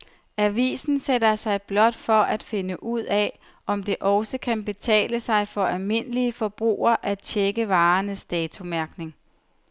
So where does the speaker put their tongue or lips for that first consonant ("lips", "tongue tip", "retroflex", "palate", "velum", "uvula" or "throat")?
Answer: lips